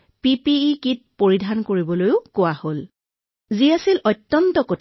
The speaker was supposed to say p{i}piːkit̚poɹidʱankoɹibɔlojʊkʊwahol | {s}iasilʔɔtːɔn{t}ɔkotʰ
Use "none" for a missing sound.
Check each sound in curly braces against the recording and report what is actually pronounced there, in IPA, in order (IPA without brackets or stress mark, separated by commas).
i, z, t